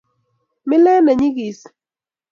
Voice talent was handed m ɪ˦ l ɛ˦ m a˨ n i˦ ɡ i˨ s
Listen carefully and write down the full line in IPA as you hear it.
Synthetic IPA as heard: m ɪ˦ l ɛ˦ n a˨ ɲ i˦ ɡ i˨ s